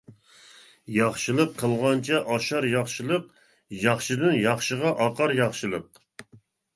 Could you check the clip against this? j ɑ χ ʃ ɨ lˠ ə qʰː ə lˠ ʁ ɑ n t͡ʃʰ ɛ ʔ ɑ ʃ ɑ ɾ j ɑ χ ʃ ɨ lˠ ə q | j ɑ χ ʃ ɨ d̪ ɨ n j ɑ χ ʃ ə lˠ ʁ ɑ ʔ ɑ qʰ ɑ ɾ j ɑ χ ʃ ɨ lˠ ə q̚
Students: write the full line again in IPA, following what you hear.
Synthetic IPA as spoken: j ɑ χ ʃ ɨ lˠ ə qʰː ə lˠ ʁ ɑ n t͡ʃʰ ɛ ʔ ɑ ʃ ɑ ɾ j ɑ χ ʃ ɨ lˠ ə q | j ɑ χ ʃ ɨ d̪ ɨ n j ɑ χ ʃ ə ʁ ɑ ʔ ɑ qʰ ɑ ɾ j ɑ χ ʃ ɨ lˠ ə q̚